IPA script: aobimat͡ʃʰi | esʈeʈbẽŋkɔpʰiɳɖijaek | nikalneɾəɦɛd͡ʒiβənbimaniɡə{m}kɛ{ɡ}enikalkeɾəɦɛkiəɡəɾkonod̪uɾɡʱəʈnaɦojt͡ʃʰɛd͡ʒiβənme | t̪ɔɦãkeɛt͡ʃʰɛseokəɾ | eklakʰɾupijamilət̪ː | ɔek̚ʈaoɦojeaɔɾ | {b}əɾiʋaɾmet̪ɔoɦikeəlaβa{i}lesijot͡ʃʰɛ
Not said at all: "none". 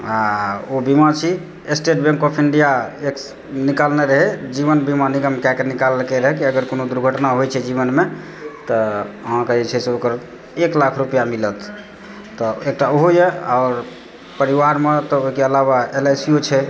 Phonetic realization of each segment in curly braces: m, k, p, e

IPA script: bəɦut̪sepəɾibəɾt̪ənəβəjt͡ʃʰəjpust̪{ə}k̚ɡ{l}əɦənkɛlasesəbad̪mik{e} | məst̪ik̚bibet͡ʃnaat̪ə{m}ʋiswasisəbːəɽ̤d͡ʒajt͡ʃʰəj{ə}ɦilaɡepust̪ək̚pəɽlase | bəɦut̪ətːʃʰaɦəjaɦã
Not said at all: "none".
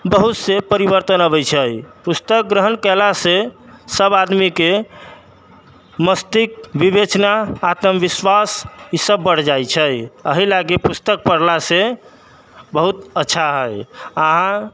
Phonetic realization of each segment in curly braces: ə, ɾ, e, m, ə

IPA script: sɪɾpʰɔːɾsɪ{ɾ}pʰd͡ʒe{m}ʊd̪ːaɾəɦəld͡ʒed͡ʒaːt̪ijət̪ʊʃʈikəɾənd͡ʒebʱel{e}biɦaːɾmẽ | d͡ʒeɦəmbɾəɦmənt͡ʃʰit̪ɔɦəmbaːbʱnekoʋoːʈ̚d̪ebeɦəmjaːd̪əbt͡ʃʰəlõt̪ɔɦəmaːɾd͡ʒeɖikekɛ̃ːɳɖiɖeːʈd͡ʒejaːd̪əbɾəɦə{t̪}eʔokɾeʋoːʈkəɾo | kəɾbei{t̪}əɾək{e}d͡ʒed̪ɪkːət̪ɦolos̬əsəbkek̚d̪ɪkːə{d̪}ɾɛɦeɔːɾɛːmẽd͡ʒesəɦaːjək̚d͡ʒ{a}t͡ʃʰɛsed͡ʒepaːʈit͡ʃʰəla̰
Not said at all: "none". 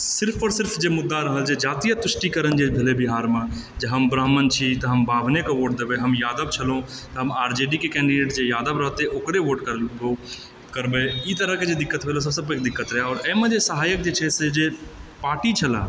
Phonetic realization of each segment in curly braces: ɾ, m, e, t̪, t̪, e, t̪, e

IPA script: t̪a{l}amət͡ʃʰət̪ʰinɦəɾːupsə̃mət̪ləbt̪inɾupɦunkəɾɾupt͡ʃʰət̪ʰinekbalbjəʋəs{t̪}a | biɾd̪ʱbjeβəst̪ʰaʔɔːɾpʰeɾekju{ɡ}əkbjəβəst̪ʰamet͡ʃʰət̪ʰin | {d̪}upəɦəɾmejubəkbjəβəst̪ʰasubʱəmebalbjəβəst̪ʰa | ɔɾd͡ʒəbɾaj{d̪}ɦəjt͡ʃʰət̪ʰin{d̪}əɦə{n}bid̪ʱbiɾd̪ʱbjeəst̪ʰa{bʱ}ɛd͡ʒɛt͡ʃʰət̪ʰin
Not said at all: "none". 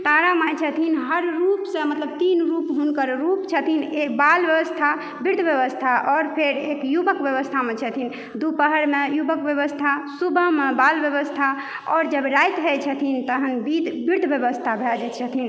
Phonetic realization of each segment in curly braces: ɾ, t̪ʰ, b, d̪, t̪, t̪, n, bʱ

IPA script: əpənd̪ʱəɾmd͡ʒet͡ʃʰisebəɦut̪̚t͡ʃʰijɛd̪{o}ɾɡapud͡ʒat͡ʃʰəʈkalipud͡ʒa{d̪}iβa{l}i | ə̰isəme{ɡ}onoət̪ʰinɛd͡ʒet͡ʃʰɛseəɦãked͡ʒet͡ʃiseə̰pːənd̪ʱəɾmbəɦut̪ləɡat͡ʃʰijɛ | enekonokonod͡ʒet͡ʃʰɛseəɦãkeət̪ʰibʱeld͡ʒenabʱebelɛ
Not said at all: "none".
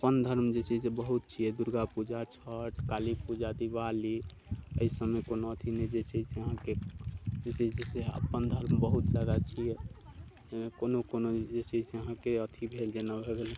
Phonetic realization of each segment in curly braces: u, d̪, l, k

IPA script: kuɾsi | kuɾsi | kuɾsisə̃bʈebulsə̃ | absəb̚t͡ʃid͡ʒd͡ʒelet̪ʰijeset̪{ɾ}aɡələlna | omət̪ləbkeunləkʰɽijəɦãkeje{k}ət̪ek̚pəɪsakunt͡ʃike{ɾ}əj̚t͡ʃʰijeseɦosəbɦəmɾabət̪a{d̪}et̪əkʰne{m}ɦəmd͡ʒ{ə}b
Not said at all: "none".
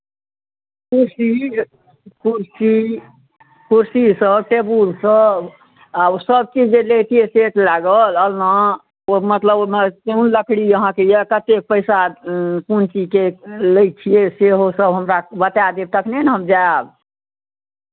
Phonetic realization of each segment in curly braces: l, k, l, d̪, n, a

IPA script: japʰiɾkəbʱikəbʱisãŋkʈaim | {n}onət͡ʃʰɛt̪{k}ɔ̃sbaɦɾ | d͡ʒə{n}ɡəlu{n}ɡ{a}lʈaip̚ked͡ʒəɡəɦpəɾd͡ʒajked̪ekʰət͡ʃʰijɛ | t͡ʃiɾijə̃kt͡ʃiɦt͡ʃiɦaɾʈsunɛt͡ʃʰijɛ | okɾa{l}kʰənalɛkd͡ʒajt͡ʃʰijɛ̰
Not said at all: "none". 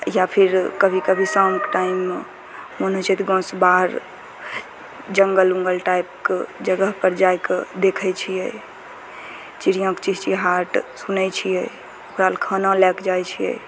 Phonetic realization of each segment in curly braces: m, ɡ, ŋ, ŋ, ə, l

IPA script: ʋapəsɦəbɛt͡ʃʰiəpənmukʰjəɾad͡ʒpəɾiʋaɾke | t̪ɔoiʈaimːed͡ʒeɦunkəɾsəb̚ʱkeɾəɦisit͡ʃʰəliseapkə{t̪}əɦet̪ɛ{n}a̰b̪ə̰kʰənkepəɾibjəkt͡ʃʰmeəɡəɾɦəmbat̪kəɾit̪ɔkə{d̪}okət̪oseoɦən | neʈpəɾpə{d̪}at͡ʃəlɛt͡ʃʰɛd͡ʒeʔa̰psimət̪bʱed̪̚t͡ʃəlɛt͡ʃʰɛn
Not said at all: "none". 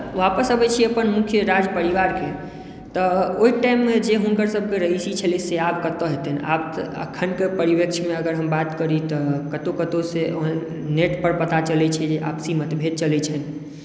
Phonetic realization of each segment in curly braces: t̪, n, t̪, t̪

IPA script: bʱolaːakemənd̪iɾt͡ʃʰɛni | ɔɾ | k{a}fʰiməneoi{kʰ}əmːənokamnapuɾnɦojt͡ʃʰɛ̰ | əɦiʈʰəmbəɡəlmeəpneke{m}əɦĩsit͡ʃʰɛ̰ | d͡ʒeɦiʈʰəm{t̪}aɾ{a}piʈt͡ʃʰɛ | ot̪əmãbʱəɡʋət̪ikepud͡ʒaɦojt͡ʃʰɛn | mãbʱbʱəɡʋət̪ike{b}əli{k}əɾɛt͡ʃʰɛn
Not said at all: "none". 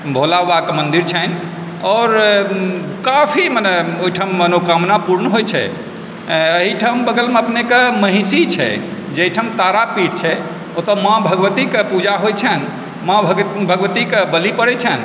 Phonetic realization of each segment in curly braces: a, ʈʰ, m, t̪, a, b, p

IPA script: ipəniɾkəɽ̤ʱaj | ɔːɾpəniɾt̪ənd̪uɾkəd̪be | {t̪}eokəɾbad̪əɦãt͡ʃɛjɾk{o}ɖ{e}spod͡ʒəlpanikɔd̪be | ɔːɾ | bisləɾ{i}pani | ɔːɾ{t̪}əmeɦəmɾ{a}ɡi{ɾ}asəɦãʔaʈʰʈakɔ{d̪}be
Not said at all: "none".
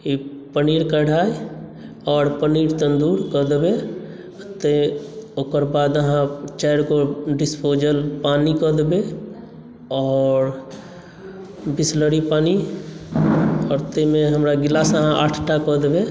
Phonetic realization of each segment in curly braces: t̪, o, i, i, t̪, a, l, d̪

